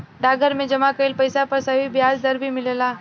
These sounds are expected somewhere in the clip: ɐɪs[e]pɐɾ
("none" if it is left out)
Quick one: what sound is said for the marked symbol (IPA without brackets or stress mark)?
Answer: a